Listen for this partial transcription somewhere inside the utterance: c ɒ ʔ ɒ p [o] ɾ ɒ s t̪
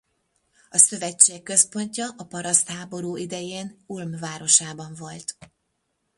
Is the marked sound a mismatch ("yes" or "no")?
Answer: yes